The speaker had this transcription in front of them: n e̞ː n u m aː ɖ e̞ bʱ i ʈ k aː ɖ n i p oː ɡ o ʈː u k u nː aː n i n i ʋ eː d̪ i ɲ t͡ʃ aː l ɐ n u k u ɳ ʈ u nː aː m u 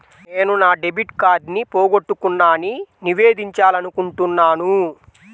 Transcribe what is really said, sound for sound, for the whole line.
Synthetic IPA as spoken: n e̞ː n u n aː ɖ e̞ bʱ i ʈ k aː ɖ n i p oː ɡ o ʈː u k u nː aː n i n i ʋ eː d̪ i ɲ t͡ʃ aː l ɐ n u k u ɳ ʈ u nː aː n u